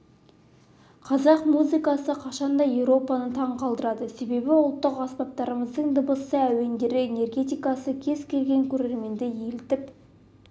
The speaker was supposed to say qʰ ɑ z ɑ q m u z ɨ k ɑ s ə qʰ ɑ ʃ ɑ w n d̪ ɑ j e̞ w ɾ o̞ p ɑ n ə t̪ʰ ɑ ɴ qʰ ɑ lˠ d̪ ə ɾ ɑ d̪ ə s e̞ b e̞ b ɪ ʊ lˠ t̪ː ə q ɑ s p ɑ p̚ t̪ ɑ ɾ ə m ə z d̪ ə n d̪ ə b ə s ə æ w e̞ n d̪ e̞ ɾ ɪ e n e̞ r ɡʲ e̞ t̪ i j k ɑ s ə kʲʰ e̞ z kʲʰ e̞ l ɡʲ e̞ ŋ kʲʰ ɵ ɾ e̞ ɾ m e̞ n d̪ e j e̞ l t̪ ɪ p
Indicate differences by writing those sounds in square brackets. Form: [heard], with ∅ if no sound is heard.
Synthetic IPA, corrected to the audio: qʰ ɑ z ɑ q m u z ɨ k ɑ s ə qʰ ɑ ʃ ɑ [∅] n d̪ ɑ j e̞ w ɾ o̞ p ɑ n ə t̪ʰ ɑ ɴ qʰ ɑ lˠ d̪ ə ɾ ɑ d̪ ə s e̞ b e̞ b ɪ ʊ lˠ t̪ː ə q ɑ s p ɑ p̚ t̪ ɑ ɾ ə m ə z d̪ ə [ɴ] d̪ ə b ə s ə æ w e̞ n d̪ e̞ ɾ ɪ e n e̞ r ɡʲ e̞ t̪ i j k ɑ s ə kʲʰ e̞ z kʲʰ e̞ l ɡʲ e̞ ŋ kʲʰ ɵ ɾ e̞ ɾ m e̞ n d̪ e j e̞ l t̪ ɪ p